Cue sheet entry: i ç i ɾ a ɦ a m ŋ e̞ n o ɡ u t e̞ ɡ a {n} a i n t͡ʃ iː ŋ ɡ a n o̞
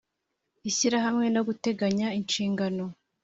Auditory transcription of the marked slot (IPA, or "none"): ɲ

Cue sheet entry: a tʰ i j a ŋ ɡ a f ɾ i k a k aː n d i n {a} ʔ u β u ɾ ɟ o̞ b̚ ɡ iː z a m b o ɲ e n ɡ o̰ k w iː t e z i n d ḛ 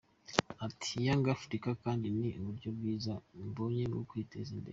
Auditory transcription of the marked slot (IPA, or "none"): i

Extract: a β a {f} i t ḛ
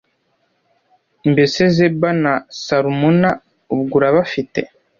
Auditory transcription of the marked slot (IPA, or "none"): f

